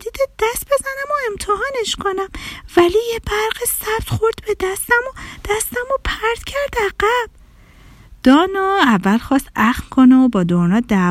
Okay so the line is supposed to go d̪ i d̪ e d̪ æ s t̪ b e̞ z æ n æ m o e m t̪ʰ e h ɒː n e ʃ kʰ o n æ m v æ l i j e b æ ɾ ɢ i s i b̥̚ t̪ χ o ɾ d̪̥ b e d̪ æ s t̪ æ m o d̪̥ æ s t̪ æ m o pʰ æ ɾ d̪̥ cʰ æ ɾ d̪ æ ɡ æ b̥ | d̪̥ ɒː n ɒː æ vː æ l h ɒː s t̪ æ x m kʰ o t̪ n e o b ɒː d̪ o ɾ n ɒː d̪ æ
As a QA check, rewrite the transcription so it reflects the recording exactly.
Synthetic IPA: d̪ i d̪ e d̪ æ s t̪ b e̞ z æ n æ m o e m t̪ʰ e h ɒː n e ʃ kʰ o n æ m v æ l i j e b æ ɾ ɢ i s æ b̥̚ t̪ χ o ɾ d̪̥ b e d̪ æ s t̪ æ m o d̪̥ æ s t̪ æ m o pʰ æ ɾ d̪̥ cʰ æ ɾ d̪ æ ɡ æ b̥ | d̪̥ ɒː n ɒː æ vː æ l x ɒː s t̪ æ x m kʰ o n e o b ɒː d̪ o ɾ n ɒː d̪ æ